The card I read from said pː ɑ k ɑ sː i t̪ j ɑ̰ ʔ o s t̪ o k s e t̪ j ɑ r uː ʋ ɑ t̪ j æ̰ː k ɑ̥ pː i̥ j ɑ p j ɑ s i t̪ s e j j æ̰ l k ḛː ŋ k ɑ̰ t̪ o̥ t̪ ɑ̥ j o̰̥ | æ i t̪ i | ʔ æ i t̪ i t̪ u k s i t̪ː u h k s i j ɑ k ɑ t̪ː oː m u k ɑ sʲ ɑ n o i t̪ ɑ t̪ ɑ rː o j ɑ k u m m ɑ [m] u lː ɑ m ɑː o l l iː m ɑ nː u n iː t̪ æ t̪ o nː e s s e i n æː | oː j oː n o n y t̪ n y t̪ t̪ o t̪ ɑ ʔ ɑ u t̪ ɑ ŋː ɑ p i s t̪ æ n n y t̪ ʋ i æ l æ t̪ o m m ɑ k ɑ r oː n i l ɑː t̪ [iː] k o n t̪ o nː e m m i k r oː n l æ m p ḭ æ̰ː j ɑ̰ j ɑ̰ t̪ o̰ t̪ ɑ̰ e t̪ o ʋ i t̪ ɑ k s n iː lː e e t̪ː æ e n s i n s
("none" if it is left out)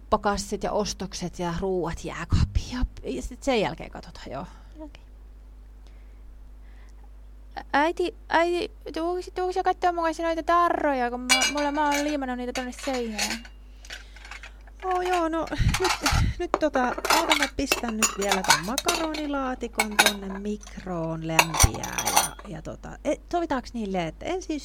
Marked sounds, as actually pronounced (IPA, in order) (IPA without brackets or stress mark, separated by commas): m, i